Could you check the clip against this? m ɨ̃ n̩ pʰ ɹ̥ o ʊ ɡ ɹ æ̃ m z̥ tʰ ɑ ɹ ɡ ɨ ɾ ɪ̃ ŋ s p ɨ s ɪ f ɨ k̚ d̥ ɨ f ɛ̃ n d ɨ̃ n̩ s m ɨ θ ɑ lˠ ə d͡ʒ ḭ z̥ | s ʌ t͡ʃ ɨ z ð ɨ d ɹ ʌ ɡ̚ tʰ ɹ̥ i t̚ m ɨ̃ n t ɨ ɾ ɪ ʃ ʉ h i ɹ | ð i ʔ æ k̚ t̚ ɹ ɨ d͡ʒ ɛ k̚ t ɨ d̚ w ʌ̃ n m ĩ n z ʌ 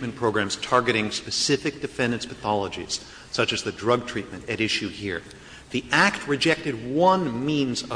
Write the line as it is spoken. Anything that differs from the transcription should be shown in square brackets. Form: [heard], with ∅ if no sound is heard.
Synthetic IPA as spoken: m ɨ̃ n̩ pʰ ɹ̥ o ʊ ɡ ɹ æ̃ m z̥ tʰ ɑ ɹ ɡ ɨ ɾ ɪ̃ ŋ s p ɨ s ɪ f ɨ k̚ d̥ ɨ f ɛ̃ n d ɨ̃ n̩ s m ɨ θ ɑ lˠ ə d͡ʒ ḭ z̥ | s ʌ t͡ʃ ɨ z ð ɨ d ɹ ʌ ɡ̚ tʰ ɹ̥ i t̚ m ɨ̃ n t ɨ ɾ ɪ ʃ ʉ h i ɹ | ð i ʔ æ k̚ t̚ ɹ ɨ d͡ʒ ɛ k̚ t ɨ d̚ w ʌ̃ n m ĩ n z ʌ